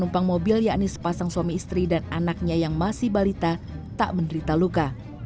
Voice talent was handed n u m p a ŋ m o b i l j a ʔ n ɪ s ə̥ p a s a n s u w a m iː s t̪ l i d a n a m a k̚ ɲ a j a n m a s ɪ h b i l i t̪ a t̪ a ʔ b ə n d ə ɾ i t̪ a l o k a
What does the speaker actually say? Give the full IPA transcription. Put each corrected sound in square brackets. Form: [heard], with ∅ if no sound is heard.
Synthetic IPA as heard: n u m p a ŋ m o b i l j a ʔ n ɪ s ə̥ p a s a [ŋ] s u w a m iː s t̪ [ɾ] i d a n a [n] a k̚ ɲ a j a [ŋ] m a s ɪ h b [a] l i t̪ a t̪ a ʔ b ə n d ə ɾ i t̪ a l [u] k a

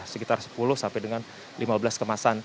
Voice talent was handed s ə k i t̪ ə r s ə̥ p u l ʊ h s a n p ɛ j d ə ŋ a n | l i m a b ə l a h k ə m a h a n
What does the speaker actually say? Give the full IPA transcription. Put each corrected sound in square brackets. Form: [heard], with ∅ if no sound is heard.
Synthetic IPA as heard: s ə k i t̪ [a] r s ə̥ p u l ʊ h s a [m] p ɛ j d ə ŋ a n | l i m a b ə l a [s] k ə m a [s] a n

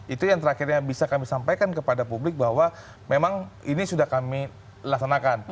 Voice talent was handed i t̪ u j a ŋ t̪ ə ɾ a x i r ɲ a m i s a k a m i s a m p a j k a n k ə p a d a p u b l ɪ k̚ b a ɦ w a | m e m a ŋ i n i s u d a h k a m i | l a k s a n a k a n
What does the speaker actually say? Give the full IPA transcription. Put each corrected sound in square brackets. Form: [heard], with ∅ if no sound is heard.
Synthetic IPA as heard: i t̪ u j a ŋ t̪ ə ɾ a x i r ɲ a [b] i s a k a m i s a m p a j k a n k ə p a d a p u b l ɪ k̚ b a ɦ w a | m e m a ŋ i n i s u d a h k a m i | l a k s a n a k a n

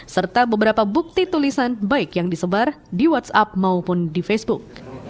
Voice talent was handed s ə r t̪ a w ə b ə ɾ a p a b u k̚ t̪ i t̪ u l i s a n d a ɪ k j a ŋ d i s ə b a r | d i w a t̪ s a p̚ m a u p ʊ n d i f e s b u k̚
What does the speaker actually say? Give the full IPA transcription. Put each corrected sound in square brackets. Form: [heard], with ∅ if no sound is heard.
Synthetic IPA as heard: s ə r t̪ a [b] ə b ə ɾ a p a b u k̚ t̪ i t̪ u l i s a n [b] a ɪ k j a ŋ d i s ə b a r | d i w a t̪ s a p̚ m a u p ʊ n d i f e s b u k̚

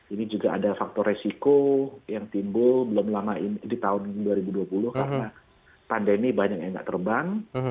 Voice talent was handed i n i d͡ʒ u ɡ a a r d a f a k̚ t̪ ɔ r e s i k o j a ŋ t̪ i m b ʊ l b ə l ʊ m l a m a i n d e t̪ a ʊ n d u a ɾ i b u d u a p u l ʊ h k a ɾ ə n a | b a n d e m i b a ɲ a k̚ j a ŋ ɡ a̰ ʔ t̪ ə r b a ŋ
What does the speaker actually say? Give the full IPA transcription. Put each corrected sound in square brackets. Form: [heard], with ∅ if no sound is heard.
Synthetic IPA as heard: i n i d͡ʒ u ɡ a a [∅] d a f a k̚ t̪ ɔ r e s i k o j a ŋ t̪ i m b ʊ l b ə l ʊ m l a m a i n d [i] t̪ a ʊ n d u a ɾ i b u d u a p u l ʊ h k a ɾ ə n a | [p] a n d e m i b a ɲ a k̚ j a ŋ ɡ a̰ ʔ t̪ ə r b a ŋ

